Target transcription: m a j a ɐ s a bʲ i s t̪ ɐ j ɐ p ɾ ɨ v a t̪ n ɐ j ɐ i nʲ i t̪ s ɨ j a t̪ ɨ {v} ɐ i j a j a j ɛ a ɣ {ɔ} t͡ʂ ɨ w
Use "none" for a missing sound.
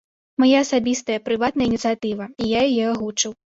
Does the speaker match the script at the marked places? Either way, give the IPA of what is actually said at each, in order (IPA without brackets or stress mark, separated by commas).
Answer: v, u